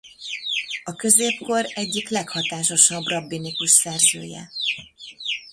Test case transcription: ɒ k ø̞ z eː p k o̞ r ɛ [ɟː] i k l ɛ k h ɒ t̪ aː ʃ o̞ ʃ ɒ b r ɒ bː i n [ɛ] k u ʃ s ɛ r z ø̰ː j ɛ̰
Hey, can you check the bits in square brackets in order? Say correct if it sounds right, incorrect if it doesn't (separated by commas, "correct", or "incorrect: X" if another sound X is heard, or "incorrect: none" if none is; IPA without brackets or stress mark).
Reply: correct, incorrect: i